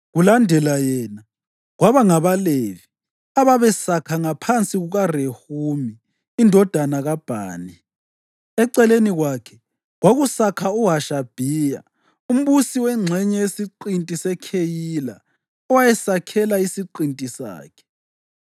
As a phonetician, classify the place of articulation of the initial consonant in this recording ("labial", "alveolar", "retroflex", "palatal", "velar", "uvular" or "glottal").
velar